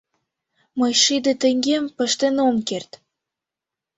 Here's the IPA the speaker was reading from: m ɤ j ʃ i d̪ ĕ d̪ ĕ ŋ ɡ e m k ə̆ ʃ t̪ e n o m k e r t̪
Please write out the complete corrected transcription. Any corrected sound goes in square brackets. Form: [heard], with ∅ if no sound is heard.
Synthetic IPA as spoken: m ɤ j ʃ i d̪ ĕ [t̪] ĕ ŋ ɡ e m [p] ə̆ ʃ t̪ e n o m k e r t̪